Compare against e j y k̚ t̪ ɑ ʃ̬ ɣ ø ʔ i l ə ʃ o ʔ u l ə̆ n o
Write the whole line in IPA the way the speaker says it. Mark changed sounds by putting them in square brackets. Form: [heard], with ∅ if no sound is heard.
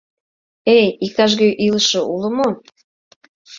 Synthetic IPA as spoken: e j [i] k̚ t̪ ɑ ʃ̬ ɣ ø ʔ i l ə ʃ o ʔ u l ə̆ [m] o